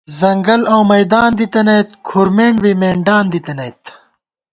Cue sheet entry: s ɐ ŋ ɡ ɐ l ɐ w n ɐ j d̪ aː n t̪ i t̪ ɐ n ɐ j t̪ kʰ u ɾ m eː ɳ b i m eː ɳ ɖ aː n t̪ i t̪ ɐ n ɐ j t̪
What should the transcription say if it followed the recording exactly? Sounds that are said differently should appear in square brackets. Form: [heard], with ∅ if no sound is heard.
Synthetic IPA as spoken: [z] ɐ ŋ ɡ ɐ l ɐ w [m] ɐ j d̪ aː n [d̪] i t̪ ɐ n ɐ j t̪ kʰ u ɾ m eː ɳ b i m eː ɳ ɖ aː n [d̪] i t̪ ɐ n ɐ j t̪